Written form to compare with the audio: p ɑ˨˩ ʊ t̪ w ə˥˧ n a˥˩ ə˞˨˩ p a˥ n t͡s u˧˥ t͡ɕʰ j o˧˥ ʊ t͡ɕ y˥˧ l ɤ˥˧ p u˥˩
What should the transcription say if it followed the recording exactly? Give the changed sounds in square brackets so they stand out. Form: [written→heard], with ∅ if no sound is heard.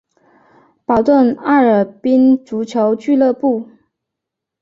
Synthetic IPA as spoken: p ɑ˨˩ ʊ t̪ w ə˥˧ n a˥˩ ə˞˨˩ p [a˥→i˥] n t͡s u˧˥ t͡ɕʰ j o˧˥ ʊ t͡ɕ y˥˧ l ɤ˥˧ p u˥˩